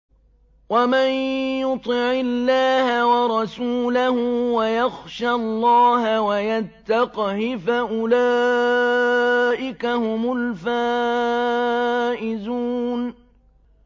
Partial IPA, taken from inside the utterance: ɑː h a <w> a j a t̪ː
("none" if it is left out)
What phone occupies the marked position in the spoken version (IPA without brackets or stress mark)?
w